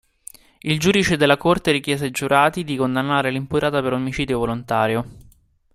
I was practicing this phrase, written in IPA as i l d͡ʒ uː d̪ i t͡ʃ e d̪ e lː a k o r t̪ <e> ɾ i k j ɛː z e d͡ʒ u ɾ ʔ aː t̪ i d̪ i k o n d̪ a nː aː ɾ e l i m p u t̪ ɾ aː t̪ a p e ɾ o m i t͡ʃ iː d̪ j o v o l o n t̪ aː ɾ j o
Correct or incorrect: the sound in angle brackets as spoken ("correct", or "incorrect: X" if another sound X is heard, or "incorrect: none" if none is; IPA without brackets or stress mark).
correct